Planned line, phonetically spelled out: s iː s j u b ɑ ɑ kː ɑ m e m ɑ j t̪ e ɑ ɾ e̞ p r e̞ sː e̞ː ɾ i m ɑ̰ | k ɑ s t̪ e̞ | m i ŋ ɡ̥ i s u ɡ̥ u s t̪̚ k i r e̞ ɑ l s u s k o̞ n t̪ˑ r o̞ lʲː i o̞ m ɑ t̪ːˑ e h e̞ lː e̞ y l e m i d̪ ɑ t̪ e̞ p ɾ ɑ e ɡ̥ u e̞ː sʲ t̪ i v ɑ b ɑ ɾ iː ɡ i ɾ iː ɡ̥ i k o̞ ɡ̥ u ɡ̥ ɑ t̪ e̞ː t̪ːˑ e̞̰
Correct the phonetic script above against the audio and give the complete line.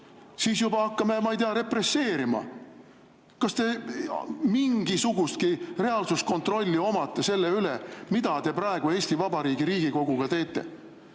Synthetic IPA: s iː s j u b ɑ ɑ kː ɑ m e m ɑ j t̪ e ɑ ɾ e̞ p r e̞ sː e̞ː ɾ i m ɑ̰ | k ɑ s t̪ e̞ | m i ŋ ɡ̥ i s u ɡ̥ u s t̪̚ k i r e̞ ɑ l s u s k o̞ n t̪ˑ r o̞ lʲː i o̞ m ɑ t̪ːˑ e s e̞ lː e̞ y l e m i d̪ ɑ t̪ e̞ p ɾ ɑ e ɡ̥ u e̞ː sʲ t̪ i v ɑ b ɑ ɾ iː ɡ i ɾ iː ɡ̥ i k o̞ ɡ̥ u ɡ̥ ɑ t̪ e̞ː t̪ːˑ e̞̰